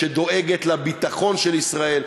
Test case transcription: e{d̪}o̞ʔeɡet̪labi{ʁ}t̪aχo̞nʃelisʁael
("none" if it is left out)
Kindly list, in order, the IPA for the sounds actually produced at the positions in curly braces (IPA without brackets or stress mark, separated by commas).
d̪, none